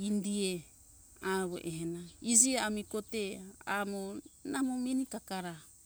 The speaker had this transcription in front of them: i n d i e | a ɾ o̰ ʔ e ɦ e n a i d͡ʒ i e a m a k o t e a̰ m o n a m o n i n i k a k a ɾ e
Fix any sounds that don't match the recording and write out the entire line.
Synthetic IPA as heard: i n d i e | a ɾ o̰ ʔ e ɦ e n a i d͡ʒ i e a m i k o t e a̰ m o n a m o m i n i k a k a ɾ a